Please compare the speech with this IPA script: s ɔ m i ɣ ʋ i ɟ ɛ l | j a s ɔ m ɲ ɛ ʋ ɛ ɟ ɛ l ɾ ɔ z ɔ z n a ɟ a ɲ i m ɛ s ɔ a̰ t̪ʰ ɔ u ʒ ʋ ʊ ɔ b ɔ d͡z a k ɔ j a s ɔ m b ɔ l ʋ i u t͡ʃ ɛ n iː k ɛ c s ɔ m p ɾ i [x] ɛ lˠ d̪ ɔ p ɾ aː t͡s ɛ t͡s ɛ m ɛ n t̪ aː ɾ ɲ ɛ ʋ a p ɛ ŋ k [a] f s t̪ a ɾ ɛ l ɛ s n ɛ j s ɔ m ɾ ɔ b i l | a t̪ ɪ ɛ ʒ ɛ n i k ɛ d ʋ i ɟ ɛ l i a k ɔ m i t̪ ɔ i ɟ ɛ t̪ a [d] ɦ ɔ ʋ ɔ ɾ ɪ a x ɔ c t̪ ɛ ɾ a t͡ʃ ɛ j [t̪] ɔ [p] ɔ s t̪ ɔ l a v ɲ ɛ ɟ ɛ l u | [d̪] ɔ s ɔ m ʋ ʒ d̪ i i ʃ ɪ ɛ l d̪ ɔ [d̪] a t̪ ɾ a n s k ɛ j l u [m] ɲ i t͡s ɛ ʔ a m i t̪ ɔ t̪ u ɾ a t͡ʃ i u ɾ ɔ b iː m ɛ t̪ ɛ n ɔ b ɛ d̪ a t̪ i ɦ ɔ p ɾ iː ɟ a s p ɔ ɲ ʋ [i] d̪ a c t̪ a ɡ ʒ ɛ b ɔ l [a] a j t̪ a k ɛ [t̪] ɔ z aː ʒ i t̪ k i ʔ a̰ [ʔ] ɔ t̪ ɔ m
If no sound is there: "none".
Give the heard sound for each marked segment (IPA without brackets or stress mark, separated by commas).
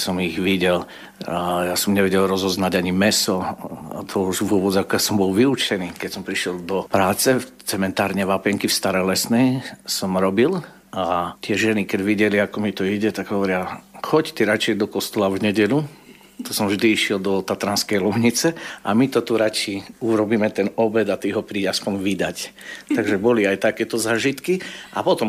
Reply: ʃ, i, ɡ, d̪, k, t̪, t̪, m, i, i, t̪, p